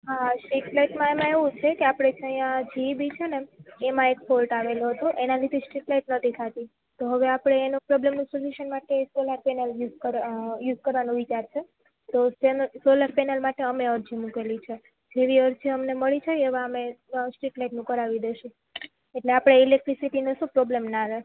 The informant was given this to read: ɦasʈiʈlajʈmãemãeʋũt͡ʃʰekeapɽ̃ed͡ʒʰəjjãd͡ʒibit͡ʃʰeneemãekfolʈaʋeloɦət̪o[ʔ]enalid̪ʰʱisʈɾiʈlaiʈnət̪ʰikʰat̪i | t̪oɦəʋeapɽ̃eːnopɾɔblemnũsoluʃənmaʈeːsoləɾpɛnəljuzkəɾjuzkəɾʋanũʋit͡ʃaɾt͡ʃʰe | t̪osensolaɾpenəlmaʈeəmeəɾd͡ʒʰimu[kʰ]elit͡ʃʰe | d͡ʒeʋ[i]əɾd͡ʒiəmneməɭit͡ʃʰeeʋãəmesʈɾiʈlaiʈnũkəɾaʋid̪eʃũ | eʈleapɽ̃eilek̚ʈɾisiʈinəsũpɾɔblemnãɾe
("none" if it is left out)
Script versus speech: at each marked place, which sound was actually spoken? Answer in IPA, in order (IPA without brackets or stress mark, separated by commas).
ʔ, k, i